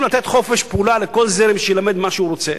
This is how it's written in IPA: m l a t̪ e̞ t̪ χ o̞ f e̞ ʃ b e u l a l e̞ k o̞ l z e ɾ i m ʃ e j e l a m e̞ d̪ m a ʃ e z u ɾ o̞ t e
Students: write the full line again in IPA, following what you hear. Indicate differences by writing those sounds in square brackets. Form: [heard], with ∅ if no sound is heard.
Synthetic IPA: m l a t̪ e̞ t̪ χ o̞ f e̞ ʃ [p] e u l a l e̞ k o̞ l z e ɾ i m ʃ e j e l a m e̞ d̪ m a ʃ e [∅] u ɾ o̞ [t͡s] e